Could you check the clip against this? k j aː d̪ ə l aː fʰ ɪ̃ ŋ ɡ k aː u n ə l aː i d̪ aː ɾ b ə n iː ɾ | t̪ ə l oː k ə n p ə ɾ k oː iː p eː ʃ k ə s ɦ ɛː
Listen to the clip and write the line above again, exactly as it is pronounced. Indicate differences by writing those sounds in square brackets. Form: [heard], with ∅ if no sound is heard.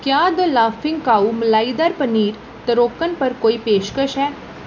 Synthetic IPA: k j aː d̪ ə l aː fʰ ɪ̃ ŋ ɡ k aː u [m] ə l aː i d̪ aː ɾ [p] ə n iː ɾ | t̪ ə [ɾ] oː k ə n p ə ɾ k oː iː p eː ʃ k ə [ʃ] ɦ ɛː